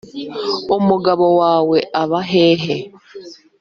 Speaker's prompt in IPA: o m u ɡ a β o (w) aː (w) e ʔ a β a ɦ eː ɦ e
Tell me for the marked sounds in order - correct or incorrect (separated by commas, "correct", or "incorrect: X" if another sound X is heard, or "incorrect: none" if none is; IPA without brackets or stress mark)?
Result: correct, correct